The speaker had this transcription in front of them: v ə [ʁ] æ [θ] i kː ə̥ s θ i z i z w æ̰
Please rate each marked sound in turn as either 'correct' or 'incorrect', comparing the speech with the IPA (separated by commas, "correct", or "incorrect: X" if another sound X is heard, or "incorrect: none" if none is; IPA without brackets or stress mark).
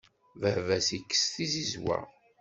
incorrect: v, incorrect: s